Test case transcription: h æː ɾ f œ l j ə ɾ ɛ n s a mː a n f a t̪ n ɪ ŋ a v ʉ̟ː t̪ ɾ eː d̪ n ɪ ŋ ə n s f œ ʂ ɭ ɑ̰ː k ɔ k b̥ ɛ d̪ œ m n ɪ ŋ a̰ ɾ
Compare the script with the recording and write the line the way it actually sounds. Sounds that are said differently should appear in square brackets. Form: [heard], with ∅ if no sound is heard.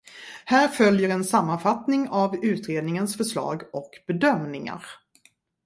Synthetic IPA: h æː ɾ f œ l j ə ɾ ɛ n s a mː a n f a t̪ n ɪ ŋ a v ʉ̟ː t̪ ɾ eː d̪ n ɪ ŋ ə n s f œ ʂ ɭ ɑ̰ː [ɡ] ɔ k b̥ ɛ d̪ œ m n ɪ ŋ a̰ ɾ